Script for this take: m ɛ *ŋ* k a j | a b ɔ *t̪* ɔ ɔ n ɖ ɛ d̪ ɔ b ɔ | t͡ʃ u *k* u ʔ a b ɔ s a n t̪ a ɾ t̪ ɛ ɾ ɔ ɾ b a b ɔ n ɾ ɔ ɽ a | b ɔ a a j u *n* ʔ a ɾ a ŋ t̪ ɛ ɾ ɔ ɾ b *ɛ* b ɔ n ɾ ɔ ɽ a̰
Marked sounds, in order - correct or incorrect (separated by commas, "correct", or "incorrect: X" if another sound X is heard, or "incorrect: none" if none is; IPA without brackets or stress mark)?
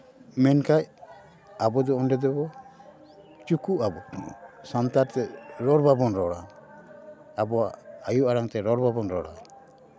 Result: incorrect: n, incorrect: d̪, correct, incorrect: none, incorrect: a